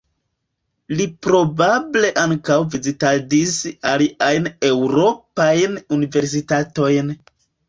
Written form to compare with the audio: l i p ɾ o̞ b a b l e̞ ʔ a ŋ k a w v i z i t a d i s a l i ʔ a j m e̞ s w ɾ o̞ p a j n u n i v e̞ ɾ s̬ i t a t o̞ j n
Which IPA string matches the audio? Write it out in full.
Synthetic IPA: l i p ɾ o̞ b a b l e̞ ʔ a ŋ k a w v i z i t a d i s a l i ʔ a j n e̞ w ɾ o̞ p a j n u n i v e̞ ɾ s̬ i t a t o̞ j n